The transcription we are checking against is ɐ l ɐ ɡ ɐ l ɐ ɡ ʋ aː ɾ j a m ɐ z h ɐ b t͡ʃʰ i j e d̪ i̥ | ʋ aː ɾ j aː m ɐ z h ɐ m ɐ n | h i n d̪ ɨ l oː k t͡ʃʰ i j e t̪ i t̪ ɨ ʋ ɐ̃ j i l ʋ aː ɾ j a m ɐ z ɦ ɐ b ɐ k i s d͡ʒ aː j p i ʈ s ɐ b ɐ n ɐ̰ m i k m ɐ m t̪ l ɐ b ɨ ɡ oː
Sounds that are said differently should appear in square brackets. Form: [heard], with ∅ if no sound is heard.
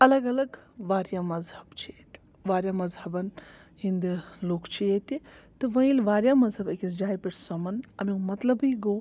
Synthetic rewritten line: ɐ l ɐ ɡ ɐ l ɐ ɡ ʋ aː ɾ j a m ɐ z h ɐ b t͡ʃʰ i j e [t̪] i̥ | ʋ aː ɾ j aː m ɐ z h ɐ [b] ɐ n | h i n d̪ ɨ l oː k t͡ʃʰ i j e t̪ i t̪ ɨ ʋ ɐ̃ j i l ʋ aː ɾ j a m ɐ z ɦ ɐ b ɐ k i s d͡ʒ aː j p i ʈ s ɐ [m] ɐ n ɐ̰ m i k m ɐ [∅] t̪ l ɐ b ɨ ɡ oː